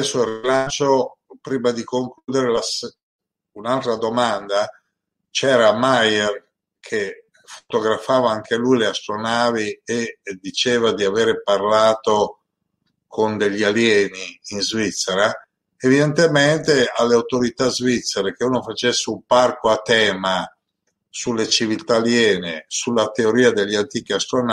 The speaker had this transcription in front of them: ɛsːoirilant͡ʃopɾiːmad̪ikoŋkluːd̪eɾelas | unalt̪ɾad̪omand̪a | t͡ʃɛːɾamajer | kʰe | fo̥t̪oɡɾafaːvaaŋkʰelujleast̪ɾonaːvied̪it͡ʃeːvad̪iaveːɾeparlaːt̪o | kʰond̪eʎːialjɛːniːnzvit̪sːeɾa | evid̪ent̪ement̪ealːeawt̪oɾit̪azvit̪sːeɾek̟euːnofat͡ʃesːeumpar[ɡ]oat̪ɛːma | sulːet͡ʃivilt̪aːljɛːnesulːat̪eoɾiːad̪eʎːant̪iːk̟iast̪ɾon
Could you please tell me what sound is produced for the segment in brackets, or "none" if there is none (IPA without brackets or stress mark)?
k